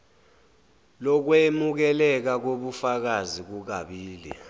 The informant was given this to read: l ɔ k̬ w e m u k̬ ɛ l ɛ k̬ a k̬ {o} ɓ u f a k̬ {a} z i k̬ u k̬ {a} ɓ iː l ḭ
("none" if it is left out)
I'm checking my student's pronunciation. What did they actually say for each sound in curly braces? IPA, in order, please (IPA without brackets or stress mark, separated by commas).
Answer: o, a, a